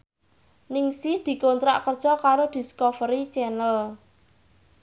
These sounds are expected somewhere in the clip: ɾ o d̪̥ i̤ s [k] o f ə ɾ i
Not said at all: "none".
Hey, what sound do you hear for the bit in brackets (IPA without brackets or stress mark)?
k